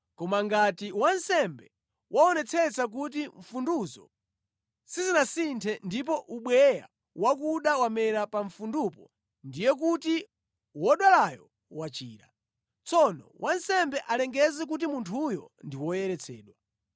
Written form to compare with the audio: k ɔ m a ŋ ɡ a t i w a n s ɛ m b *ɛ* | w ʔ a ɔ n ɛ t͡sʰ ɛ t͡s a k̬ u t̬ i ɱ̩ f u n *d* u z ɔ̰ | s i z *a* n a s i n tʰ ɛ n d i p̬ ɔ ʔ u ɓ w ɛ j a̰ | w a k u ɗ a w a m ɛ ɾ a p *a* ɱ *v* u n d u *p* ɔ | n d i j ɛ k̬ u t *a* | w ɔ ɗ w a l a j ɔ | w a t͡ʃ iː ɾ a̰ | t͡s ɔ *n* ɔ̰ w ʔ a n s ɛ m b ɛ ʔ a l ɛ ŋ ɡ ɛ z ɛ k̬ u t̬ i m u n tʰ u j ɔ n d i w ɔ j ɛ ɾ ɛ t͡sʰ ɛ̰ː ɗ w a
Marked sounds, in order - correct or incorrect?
correct, correct, incorrect: i, correct, incorrect: f, correct, incorrect: i, correct

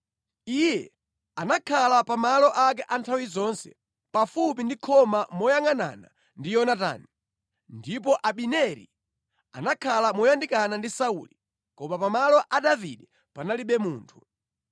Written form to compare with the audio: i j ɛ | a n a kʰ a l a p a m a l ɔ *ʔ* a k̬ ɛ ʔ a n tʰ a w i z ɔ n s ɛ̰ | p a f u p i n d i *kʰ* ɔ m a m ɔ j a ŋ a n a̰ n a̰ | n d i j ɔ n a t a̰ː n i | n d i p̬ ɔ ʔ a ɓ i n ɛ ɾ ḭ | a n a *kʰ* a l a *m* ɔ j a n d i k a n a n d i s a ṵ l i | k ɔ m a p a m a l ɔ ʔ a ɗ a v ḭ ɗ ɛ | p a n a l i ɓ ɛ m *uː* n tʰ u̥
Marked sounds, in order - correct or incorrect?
correct, correct, correct, correct, correct

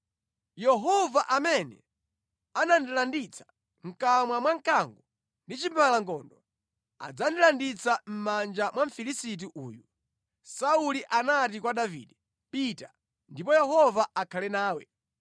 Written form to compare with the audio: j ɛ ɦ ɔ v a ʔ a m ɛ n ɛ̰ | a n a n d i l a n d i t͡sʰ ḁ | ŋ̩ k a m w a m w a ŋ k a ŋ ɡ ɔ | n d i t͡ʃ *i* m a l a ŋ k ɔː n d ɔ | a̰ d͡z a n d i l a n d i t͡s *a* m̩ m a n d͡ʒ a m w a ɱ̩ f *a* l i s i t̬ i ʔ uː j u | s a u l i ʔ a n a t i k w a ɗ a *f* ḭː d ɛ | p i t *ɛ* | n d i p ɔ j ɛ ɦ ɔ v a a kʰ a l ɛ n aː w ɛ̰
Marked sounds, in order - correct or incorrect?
correct, correct, incorrect: i, incorrect: v, incorrect: a

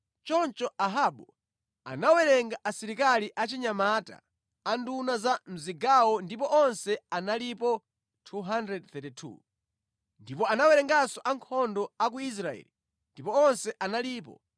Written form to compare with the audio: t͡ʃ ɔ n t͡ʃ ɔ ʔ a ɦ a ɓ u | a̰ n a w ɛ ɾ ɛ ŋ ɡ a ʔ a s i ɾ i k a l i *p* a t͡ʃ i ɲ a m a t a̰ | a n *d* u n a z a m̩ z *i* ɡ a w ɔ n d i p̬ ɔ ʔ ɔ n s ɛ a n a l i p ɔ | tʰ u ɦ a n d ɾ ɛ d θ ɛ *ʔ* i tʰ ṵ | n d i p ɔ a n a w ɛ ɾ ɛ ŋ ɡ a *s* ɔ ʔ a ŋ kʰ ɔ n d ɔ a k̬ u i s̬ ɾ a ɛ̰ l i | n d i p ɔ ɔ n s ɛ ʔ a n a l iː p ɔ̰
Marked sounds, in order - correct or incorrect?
incorrect: ʔ, correct, correct, incorrect: t, correct

